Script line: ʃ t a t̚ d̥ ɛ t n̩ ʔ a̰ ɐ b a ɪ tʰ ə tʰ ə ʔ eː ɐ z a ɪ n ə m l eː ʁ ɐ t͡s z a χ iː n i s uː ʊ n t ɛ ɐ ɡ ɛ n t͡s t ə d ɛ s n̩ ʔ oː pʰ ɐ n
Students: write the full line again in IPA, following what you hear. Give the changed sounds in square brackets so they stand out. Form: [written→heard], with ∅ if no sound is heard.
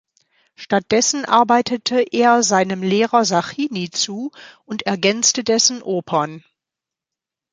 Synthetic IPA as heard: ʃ t a t̚ d̥ ɛ [t→s] n̩ ʔ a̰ ɐ b a ɪ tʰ ə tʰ ə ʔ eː ɐ z a ɪ n ə m l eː ʁ ɐ [t͡s→∅] z a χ iː n i [s→t͡s] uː ʊ n t ɛ ɐ ɡ ɛ n t͡s t ə d ɛ s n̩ ʔ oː pʰ ɐ n